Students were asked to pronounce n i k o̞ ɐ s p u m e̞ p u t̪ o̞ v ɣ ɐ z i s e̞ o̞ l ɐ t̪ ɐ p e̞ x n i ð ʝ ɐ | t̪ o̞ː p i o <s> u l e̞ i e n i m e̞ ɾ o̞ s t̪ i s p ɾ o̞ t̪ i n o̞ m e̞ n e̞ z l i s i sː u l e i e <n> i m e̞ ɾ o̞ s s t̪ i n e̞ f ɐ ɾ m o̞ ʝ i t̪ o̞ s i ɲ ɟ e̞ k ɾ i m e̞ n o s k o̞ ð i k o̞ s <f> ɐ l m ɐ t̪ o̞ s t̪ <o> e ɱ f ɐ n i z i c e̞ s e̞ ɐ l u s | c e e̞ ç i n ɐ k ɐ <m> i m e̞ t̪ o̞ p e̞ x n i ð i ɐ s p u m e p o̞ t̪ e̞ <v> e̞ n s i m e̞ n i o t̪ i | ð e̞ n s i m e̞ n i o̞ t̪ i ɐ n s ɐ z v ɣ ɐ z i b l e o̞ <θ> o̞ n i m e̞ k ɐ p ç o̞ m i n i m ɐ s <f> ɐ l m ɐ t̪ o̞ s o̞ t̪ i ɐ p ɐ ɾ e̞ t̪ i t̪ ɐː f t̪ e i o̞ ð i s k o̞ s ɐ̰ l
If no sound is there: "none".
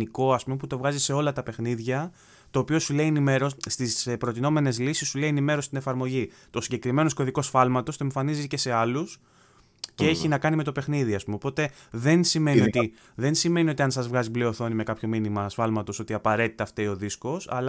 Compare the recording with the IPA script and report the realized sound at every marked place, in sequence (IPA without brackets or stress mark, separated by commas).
s, n, f, o, n, ð, θ, f